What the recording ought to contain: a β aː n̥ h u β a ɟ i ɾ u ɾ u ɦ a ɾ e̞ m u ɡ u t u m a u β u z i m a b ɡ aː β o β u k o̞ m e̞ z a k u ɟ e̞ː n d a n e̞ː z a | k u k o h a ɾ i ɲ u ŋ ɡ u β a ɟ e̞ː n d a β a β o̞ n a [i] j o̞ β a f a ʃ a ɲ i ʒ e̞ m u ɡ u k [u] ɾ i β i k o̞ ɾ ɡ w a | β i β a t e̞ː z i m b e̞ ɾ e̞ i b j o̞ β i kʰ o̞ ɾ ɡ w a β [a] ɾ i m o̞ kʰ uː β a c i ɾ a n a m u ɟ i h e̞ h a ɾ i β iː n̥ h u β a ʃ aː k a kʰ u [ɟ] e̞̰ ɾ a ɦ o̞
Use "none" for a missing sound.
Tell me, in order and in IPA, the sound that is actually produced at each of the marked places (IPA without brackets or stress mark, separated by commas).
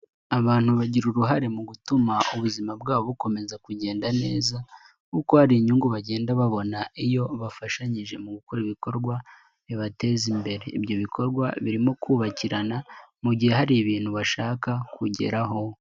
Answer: i, o, i, ɟ